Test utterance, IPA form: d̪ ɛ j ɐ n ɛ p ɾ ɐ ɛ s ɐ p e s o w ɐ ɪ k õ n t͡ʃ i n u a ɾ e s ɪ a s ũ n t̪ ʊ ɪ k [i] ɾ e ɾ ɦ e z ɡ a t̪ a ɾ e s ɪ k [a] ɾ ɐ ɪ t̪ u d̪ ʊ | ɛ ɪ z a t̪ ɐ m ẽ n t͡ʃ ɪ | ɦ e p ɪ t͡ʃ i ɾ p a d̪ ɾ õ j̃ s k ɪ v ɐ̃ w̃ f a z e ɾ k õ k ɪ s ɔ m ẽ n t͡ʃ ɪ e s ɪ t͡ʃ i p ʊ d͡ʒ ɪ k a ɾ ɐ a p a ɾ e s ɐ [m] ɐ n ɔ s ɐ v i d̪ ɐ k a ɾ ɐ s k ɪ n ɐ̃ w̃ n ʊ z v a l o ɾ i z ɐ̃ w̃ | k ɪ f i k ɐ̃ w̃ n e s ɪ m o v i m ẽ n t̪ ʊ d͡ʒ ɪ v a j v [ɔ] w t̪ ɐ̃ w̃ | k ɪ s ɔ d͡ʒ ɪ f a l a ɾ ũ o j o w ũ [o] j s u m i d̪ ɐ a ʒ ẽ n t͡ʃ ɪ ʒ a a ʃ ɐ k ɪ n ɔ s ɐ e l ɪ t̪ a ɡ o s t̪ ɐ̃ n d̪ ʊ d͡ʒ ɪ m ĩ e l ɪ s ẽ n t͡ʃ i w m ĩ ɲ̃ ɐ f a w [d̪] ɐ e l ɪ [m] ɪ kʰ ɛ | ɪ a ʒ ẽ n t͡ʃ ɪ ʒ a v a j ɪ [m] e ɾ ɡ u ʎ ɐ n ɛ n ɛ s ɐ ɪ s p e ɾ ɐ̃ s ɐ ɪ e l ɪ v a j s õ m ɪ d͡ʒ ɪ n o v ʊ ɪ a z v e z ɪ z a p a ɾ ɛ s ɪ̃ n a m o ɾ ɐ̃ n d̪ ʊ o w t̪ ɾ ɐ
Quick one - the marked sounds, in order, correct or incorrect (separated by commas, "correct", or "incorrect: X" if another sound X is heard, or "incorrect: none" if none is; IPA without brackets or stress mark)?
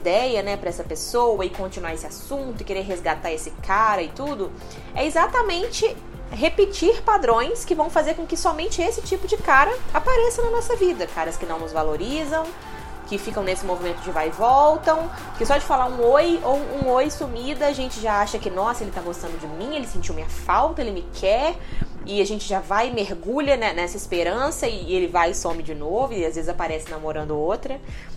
incorrect: e, correct, incorrect: n, correct, correct, incorrect: t̪, correct, correct